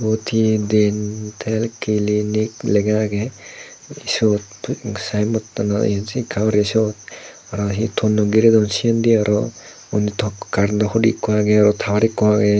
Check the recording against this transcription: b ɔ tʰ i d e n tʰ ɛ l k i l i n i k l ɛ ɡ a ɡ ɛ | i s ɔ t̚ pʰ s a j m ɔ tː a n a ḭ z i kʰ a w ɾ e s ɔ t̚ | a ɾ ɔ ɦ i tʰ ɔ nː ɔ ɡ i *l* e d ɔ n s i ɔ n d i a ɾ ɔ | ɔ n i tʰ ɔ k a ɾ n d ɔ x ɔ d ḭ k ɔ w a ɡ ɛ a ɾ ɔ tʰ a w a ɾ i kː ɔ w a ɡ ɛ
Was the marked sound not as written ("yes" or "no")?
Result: yes